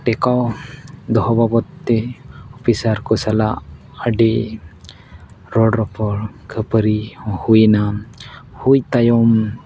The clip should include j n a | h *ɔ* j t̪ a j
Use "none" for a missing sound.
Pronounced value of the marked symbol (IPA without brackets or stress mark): u